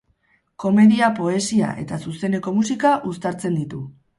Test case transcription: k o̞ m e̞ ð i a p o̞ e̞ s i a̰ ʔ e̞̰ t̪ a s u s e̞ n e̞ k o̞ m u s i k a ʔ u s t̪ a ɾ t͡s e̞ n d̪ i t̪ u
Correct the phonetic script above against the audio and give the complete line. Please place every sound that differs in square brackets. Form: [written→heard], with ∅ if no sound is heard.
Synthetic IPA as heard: k o̞ m e̞ ð i a p o̞ e̞ s i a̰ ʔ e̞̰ t̪ a s u s e̞ n e̞ k o̞ m u s i k a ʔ u s t̪ a ɾ t͡s e̞ n d̪ i t̪ u